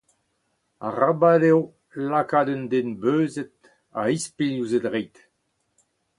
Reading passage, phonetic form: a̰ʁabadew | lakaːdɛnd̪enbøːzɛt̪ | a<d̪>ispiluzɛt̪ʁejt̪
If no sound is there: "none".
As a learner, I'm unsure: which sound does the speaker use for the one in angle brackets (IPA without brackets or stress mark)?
none